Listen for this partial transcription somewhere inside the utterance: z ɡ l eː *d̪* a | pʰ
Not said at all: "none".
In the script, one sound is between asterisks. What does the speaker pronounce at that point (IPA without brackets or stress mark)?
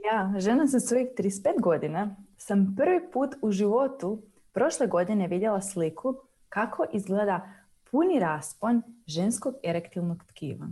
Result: d̪